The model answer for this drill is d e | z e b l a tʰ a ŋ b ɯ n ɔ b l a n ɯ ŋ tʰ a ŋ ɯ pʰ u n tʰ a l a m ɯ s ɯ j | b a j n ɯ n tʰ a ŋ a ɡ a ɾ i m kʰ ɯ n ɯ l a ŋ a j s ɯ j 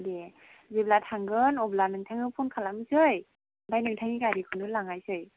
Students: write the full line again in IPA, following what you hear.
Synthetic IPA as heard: d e | z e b l a tʰ a ŋ ɡ ɯ n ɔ b l a n ɯ ŋ tʰ a ŋ ɯ pʰ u n kʰ a l a m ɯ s ɯ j | b a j n ɯ ŋ tʰ a ŋ i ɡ a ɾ i kʰ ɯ n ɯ l a ŋ a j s ɯ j